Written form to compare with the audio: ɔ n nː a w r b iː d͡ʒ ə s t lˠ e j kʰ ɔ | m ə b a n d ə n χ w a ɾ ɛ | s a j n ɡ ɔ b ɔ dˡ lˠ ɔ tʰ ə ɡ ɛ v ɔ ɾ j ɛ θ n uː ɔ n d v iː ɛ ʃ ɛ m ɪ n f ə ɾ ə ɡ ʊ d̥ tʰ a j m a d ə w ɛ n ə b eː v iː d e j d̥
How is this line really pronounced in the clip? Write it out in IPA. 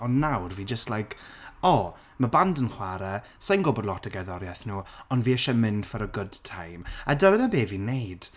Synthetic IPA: ɔ n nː a w r v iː d͡ʒ ə s t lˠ a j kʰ ɔ | m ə b a n d ə n χ w a ɾ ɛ | s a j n ɡ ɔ b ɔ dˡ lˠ ɔ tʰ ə ɡ ɛ ð ɔ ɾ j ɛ θ n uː ɔ n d v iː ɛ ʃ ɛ m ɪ n f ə ɾ ə ɡ ʊ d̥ tʰ a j m a d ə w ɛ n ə b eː v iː n e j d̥